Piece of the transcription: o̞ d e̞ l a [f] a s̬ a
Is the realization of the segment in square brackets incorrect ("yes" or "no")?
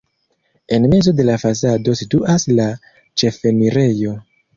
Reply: no